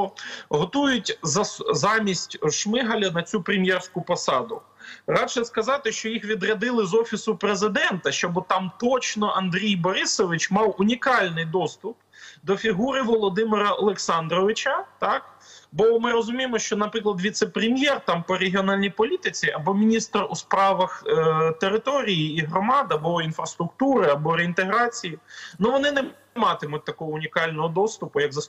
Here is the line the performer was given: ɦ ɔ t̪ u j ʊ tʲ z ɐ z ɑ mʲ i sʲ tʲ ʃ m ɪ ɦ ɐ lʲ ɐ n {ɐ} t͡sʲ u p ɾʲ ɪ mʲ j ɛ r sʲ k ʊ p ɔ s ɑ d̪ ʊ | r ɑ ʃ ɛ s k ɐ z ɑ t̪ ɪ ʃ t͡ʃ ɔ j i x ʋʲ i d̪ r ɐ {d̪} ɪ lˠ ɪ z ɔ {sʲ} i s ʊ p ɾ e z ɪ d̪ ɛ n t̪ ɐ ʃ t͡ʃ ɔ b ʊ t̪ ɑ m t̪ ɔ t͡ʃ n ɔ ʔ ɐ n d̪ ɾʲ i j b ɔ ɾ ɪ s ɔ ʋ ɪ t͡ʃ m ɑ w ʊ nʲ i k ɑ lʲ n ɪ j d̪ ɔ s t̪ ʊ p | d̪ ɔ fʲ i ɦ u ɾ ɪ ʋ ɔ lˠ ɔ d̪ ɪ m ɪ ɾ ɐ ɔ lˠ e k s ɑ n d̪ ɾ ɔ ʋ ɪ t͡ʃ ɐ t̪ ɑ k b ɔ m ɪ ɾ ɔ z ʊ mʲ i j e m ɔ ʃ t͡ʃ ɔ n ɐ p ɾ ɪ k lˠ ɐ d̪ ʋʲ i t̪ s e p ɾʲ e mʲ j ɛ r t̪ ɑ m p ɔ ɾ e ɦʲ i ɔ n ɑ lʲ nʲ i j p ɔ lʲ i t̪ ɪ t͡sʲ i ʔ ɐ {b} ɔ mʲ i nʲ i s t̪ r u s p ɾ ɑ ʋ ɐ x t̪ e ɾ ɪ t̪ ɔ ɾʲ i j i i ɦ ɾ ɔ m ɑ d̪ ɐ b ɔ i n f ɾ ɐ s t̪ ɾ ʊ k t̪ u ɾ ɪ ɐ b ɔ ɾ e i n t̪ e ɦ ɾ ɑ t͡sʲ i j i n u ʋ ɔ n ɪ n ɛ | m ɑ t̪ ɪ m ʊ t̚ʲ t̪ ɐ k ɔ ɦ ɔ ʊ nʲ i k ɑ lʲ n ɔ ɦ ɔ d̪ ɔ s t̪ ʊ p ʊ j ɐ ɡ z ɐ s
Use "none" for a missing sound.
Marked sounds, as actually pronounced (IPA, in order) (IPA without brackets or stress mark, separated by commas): ɐ, d̪, fʲ, b